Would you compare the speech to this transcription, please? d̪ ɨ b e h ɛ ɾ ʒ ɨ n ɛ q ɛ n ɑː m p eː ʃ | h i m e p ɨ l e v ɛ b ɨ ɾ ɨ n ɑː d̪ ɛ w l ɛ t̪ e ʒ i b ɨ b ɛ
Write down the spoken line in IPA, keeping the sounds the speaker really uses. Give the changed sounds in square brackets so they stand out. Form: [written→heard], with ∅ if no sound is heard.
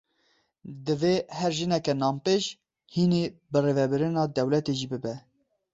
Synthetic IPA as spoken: d̪ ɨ [b→v] e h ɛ ɾ ʒ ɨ n ɛ [q→k] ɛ n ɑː m p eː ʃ | h i [m→n] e [p→b] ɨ [l→r] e v ɛ b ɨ ɾ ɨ n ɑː d̪ ɛ w l ɛ t̪ e ʒ i b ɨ b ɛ